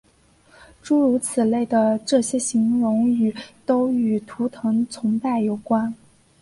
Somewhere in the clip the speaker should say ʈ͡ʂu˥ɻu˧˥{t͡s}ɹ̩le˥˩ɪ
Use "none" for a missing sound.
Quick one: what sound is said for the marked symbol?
t͡sʰ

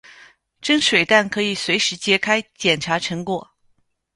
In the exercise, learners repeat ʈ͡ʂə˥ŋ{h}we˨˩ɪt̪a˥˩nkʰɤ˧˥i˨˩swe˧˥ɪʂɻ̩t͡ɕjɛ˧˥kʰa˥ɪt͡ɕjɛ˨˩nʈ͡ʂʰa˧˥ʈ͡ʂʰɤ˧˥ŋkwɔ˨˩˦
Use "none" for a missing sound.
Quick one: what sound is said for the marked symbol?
ʂ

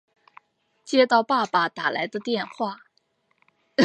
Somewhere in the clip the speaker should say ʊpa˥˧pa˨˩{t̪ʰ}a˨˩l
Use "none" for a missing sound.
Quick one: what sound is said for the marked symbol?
t̪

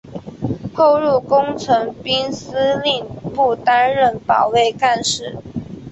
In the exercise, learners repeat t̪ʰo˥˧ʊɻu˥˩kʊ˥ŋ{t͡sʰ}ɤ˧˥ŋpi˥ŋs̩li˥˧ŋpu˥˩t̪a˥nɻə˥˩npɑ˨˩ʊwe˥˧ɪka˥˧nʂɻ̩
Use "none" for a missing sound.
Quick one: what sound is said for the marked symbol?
t͡sʰ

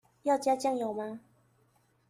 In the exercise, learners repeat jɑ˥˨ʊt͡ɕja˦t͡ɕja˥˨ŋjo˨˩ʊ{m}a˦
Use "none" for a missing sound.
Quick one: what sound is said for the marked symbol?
m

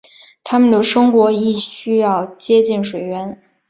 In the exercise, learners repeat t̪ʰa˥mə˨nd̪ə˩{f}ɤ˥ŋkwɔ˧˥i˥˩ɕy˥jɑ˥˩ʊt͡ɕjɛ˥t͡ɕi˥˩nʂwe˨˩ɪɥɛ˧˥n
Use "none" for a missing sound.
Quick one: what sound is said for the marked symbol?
ʂ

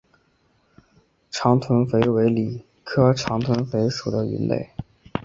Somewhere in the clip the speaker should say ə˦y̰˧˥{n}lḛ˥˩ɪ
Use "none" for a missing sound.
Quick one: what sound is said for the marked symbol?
n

